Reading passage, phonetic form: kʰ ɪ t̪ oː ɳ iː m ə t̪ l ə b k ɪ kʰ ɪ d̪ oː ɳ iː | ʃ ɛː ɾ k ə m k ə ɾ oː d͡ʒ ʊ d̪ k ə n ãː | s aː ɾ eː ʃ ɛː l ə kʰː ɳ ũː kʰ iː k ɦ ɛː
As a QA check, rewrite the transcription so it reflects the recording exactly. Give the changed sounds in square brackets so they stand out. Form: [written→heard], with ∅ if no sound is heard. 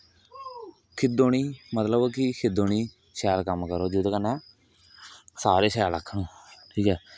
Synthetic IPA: kʰ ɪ [t̪→d̪] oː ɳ iː m ə t̪ l ə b k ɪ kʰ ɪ d̪ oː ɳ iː | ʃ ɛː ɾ k ə m k ə ɾ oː d͡ʒ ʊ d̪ k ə n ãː | s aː ɾ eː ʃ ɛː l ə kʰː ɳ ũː [kʰ→ʈʰ] iː k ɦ ɛː